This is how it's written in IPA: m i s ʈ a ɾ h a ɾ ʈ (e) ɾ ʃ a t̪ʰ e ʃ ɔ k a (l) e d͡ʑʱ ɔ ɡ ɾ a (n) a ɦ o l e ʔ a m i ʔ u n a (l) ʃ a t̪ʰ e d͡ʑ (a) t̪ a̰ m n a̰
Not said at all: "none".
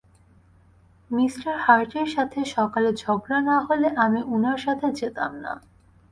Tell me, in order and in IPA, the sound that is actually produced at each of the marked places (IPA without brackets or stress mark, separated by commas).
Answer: e, l, n, ɾ, e